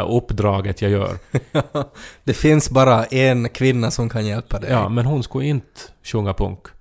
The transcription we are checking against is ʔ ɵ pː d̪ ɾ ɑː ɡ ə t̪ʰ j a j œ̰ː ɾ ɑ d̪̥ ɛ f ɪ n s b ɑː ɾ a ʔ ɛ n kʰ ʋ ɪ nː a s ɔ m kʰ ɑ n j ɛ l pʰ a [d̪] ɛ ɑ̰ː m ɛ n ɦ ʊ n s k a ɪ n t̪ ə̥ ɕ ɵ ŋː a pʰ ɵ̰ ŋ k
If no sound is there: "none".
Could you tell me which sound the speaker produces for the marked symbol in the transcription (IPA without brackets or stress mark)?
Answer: d̪